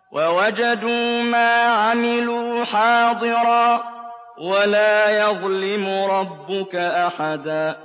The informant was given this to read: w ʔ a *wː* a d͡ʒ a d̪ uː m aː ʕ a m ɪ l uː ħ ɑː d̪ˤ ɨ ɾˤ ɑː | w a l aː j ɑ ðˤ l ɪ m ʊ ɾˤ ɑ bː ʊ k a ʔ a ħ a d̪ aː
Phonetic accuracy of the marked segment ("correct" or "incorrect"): incorrect